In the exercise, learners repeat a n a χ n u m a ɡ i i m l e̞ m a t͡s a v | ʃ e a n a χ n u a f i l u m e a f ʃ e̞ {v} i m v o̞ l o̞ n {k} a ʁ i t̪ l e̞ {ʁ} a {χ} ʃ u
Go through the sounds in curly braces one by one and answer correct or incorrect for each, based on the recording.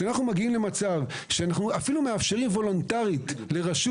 incorrect: ʁ, incorrect: t, correct, incorrect: none

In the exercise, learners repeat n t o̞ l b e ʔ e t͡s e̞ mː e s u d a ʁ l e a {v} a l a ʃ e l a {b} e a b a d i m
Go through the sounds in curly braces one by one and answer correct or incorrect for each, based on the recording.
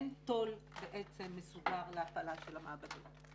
incorrect: f, incorrect: m

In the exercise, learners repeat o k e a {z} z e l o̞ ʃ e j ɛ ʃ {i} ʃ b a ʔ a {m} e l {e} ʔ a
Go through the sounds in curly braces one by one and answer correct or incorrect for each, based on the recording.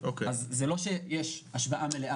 correct, incorrect: a, correct, correct

